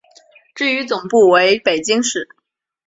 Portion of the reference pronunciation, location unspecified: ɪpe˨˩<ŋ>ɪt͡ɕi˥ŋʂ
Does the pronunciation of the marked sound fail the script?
yes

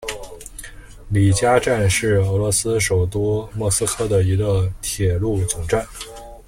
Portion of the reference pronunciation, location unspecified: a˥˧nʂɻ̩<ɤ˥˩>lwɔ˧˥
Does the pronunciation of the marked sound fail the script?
yes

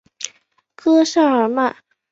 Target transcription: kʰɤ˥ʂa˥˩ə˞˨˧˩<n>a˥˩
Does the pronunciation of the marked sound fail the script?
yes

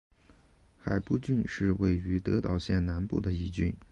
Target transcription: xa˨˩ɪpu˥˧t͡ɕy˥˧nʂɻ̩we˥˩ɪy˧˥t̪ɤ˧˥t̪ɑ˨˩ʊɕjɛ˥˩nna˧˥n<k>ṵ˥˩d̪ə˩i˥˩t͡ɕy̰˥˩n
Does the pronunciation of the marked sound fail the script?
yes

